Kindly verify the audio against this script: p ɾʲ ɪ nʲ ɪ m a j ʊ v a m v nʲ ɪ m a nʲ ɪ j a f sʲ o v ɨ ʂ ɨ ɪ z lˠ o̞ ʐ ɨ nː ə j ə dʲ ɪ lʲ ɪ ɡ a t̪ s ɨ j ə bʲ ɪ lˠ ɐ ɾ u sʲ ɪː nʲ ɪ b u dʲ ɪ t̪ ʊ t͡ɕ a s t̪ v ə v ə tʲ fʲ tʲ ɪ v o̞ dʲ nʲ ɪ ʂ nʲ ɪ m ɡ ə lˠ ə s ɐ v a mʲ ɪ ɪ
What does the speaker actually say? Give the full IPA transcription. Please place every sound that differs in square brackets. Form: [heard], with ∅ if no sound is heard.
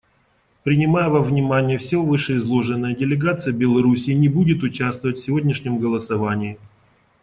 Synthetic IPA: p ɾʲ ɪ nʲ ɪ m a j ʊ v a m v nʲ ɪ m a nʲ ɪ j [ə] f sʲ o v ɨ ʂ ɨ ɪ z lˠ o̞ ʐ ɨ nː ə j ə dʲ ɪ lʲ ɪ ɡ a t̪ s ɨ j ə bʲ ɪ lˠ ɐ ɾ u sʲ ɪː nʲ ɪ b u dʲ ɪ t̪ ʊ t͡ɕ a s t̪ v ə v ə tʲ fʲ [sʲ] ɪ v o̞ dʲ nʲ ɪ ʂ nʲ ɪ m ɡ ə lˠ ə s ɐ v a [nʲ] ɪ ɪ